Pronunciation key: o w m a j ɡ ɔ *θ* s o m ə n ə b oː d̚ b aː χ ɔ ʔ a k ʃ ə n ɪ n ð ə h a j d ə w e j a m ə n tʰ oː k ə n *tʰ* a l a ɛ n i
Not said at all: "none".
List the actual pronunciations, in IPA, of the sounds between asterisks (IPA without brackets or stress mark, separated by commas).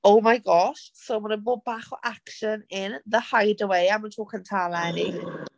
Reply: ʃ, tʰ